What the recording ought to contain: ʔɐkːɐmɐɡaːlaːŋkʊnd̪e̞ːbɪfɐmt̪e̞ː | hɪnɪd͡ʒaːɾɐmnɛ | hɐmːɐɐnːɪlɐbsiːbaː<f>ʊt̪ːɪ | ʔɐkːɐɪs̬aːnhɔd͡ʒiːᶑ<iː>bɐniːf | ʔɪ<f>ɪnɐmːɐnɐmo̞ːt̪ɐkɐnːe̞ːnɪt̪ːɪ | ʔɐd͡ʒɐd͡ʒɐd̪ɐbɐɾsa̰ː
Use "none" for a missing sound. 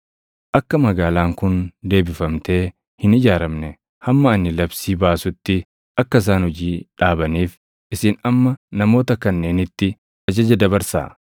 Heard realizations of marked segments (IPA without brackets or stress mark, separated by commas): s, aː, s